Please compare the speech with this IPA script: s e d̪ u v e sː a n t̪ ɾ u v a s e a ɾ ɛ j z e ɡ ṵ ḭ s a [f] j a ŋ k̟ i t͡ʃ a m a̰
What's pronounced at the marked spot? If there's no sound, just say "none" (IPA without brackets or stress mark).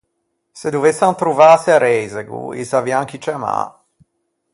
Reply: v